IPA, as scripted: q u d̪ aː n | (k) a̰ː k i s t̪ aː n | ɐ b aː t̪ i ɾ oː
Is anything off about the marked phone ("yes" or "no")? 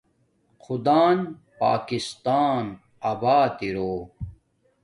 yes